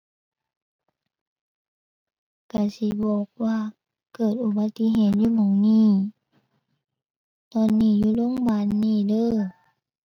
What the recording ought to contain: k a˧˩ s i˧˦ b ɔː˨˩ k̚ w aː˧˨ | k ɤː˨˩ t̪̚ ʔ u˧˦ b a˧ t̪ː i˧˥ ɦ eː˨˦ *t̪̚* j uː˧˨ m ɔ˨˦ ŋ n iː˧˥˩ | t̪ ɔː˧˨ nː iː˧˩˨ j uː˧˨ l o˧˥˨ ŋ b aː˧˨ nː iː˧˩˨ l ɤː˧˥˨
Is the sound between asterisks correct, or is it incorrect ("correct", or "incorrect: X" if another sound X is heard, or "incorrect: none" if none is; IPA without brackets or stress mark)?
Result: correct